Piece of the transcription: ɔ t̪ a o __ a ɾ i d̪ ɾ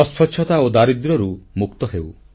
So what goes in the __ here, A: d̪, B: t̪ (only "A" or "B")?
A